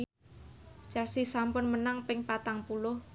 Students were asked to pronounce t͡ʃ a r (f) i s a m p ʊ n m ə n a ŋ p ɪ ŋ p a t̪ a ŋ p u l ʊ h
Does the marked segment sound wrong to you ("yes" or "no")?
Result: yes